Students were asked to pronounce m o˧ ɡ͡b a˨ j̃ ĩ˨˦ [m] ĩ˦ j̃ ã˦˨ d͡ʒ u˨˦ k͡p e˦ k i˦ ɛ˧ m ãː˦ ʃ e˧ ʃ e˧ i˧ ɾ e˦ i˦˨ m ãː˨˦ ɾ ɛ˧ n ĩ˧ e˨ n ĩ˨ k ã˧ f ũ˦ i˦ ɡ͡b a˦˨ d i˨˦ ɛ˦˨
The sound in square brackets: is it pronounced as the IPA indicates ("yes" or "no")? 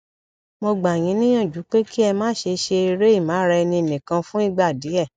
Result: no